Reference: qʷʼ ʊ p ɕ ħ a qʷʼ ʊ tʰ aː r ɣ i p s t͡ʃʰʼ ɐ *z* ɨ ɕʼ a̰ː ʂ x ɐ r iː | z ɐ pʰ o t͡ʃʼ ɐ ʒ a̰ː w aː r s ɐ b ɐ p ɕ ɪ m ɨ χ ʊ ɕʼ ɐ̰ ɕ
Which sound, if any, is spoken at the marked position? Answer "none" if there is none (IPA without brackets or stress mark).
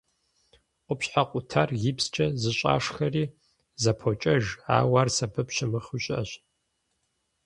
z